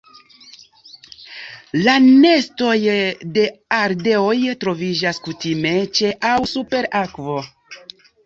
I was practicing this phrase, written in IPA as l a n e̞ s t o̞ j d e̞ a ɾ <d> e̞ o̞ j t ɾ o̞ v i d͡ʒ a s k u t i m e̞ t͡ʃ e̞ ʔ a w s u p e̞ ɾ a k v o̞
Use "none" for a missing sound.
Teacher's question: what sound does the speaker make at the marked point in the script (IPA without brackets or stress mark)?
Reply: d